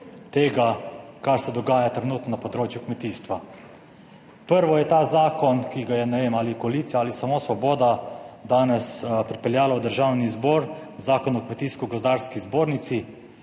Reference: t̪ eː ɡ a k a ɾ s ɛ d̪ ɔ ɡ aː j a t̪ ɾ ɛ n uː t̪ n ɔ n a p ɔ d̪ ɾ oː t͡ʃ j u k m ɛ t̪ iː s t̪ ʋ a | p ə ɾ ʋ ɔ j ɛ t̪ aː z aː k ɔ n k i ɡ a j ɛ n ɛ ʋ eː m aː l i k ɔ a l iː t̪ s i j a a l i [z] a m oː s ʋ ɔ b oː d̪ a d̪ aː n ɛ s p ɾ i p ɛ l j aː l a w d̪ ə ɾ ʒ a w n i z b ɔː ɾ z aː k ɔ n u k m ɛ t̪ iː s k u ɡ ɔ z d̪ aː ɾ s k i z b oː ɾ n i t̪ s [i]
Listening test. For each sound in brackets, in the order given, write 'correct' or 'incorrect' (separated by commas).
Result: incorrect, correct